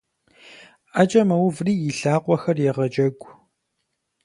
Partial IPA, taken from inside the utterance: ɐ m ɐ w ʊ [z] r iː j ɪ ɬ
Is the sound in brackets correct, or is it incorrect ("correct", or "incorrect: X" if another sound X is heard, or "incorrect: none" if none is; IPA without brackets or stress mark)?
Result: incorrect: v